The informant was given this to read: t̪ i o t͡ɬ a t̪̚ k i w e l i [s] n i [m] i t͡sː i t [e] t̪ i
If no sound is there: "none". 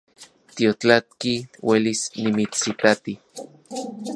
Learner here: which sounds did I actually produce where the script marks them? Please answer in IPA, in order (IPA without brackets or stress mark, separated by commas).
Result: s, m, a